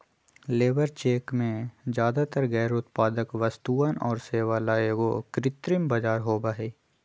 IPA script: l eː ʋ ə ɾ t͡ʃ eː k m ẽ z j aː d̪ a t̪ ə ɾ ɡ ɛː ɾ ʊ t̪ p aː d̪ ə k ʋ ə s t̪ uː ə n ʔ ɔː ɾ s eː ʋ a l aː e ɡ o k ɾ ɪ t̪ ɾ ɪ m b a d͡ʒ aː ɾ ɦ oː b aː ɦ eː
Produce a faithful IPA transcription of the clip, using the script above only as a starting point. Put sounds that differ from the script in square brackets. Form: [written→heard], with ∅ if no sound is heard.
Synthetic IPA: l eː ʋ ə ɾ t͡ʃ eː k m ẽ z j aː d̪ a t̪ ə ɾ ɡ ɛː ɾ ʊ t̪ p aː d̪ ə k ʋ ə s t̪ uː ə n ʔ ɔː ɾ s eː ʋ a l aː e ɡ o k ɾ ɪ t̪ ɾ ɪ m b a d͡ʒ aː ɾ ɦ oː b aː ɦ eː